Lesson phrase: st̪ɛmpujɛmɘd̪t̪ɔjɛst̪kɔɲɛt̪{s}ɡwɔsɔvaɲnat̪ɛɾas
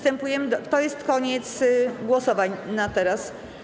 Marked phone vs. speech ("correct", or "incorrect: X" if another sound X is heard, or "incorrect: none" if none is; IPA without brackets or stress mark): correct